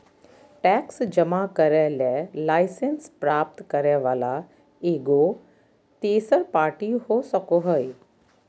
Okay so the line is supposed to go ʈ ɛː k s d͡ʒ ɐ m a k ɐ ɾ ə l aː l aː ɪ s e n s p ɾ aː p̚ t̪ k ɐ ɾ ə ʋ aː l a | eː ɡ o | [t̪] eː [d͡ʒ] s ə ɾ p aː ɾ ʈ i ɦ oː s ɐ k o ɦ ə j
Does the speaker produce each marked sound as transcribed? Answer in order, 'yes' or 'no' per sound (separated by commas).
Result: yes, no